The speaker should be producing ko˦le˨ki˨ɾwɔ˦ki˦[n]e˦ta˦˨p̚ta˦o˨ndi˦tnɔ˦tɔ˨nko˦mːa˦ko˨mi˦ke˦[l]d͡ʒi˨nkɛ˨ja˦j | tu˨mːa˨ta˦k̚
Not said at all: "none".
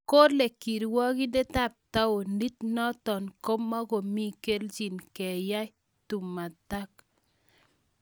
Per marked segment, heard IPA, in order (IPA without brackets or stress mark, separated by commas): d, l